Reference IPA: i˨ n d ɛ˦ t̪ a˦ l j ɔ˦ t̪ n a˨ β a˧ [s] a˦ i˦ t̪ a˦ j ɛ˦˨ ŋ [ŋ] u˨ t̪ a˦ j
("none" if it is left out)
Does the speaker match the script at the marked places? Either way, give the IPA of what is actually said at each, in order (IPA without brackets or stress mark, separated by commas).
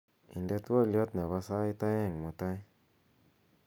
s, m